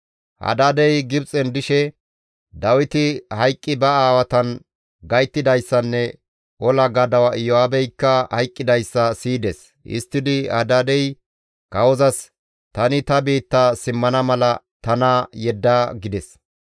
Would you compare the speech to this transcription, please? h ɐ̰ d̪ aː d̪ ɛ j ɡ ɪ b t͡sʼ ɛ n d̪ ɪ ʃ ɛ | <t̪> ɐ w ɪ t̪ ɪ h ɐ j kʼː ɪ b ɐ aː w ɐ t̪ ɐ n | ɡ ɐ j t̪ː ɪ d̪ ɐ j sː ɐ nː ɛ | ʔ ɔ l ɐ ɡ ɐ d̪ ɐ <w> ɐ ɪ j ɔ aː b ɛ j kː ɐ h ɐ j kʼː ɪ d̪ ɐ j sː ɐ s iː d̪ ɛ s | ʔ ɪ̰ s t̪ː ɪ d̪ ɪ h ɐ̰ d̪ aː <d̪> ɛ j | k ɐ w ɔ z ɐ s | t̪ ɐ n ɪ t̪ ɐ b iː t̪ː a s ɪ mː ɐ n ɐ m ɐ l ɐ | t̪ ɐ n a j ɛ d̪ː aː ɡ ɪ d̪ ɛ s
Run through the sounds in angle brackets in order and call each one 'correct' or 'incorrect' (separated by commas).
incorrect, correct, correct